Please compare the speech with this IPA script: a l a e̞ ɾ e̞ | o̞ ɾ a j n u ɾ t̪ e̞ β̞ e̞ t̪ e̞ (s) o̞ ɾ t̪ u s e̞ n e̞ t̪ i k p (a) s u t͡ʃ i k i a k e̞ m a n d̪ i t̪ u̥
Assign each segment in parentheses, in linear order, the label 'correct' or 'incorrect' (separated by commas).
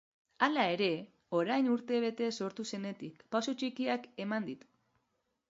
correct, correct